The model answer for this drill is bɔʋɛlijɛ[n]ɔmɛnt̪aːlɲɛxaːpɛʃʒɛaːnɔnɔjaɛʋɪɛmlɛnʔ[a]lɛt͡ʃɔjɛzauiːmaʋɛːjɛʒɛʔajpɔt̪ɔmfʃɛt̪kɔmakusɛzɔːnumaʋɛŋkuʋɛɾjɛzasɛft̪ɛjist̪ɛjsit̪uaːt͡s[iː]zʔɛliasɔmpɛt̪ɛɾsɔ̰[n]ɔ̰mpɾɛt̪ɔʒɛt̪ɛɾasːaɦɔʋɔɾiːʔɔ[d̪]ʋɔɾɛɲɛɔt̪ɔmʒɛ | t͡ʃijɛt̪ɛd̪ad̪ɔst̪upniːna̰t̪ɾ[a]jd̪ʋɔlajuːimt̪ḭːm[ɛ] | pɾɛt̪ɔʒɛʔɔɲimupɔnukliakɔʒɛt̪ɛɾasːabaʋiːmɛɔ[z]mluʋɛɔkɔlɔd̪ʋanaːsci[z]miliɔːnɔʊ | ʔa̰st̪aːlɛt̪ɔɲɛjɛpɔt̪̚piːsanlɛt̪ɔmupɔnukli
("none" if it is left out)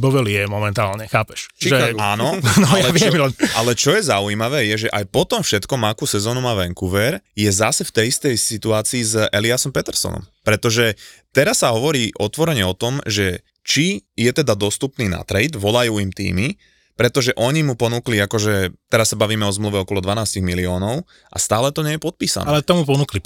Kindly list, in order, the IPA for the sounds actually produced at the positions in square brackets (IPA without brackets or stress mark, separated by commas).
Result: m, a, iː, n, t̪, ɛ, i, z, ɣ